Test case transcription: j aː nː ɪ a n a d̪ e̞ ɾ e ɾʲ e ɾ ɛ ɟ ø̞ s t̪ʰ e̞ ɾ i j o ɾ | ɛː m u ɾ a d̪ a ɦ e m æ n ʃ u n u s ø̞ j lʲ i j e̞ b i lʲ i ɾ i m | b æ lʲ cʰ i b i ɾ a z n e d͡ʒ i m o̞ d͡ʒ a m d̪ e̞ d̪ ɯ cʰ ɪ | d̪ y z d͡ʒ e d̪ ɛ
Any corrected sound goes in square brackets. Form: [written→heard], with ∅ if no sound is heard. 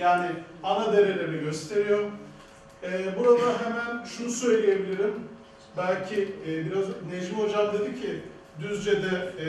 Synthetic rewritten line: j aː [nː→n] ɪ a n a d̪ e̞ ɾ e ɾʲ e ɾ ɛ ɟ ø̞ s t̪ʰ e̞ ɾ i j o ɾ | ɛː [m→b] u ɾ a d̪ a ɦ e m æ n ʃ u n u s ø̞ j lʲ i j e̞ b i lʲ i ɾ i m | b æ lʲ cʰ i b i ɾ a z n e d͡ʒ i m o̞ d͡ʒ a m d̪ e̞ d̪ ɯ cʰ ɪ | d̪ y z d͡ʒ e d̪ ɛ